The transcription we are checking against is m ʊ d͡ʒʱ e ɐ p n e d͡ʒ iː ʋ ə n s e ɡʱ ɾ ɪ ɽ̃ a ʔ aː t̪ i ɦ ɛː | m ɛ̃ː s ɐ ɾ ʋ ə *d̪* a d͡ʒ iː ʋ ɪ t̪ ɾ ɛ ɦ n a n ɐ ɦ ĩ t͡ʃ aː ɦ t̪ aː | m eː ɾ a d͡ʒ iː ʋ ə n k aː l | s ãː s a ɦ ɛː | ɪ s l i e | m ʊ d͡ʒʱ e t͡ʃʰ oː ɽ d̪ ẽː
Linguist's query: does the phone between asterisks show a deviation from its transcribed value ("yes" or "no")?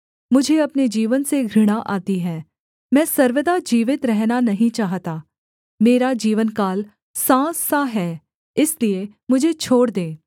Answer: no